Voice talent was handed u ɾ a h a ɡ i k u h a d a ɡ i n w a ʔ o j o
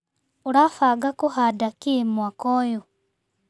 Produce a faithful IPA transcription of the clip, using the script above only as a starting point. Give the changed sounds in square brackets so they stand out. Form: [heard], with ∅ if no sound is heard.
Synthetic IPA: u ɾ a [f] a ɡ [a] k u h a d a [k] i [m] w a [k] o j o